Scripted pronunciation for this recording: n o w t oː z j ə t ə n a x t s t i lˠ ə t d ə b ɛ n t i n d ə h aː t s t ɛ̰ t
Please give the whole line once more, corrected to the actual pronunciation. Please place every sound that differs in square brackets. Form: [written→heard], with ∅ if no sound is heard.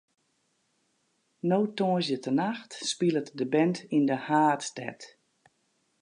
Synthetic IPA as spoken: n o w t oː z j ə t ə n a x t s [t→p] i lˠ ə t d ə b ɛ n t i n d ə h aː t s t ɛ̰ t